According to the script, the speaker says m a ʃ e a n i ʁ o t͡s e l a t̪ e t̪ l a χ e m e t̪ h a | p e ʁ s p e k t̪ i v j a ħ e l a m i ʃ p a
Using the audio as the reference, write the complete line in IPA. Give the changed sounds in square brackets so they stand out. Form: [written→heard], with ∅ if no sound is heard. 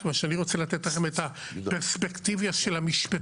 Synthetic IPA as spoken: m a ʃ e a n i ʁ o t͡s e l a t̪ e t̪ l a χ e m e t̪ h a | p e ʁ s p e k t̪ i v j a [ħ→ʃ] e l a m i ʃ p a